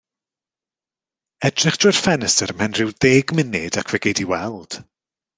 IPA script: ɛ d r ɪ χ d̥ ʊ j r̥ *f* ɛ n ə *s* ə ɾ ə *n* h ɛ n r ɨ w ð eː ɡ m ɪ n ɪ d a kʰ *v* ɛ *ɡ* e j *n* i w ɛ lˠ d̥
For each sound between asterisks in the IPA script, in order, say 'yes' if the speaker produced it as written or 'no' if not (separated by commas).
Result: yes, yes, no, yes, yes, no